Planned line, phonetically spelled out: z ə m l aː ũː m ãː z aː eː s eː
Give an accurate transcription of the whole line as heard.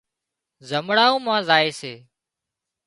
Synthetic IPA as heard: z ə m ɽ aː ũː m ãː z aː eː s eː